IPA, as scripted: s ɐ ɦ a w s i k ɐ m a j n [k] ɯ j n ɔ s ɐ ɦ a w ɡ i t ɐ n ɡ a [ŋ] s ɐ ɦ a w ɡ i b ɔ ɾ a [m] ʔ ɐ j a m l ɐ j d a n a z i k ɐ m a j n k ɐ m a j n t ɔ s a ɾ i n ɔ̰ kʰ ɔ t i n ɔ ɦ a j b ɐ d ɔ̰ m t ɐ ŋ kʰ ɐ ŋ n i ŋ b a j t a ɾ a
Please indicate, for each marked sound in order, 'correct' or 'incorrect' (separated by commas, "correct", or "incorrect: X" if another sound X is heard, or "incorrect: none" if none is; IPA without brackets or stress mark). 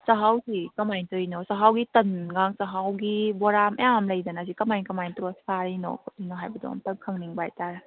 incorrect: t, correct, correct